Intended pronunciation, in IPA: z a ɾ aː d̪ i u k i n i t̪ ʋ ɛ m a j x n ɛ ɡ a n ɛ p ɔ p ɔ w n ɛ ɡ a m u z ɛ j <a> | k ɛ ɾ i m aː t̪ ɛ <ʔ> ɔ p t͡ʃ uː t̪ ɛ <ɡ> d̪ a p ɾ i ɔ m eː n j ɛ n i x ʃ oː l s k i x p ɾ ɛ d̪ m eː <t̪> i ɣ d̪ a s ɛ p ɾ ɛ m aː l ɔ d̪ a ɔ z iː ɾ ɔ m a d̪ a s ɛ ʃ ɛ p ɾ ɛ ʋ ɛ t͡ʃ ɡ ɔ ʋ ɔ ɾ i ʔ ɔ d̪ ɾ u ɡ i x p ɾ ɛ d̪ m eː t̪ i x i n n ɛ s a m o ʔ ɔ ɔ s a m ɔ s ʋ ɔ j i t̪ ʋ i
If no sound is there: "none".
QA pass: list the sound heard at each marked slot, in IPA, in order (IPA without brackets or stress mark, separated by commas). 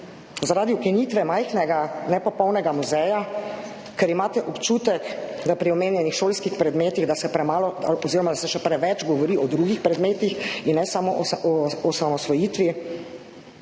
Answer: a, ʔ, k, t̪